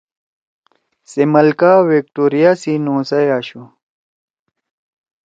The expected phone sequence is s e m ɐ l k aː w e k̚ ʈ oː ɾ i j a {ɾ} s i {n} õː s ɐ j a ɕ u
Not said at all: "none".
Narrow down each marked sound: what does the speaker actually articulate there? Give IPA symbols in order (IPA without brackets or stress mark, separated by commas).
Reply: none, n